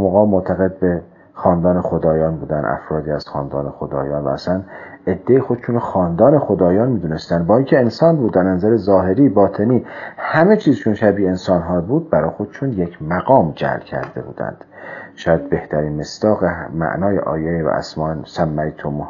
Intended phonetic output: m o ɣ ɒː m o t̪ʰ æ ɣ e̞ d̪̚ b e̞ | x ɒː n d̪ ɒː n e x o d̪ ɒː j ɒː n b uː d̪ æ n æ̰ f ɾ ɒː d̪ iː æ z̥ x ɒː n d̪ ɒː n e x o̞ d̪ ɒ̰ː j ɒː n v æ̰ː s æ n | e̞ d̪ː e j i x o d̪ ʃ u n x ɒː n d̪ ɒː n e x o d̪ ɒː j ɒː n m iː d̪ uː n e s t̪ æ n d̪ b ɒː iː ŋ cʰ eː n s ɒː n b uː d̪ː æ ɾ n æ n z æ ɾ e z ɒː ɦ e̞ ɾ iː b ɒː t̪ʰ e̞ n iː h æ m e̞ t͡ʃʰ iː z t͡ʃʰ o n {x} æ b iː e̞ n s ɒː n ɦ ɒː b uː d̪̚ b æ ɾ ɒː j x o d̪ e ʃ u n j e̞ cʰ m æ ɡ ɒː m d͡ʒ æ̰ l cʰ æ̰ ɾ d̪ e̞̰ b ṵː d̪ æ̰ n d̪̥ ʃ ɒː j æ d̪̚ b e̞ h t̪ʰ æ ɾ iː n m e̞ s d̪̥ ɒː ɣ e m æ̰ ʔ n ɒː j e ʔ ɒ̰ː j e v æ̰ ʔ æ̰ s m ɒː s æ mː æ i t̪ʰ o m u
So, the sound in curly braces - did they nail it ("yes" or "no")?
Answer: no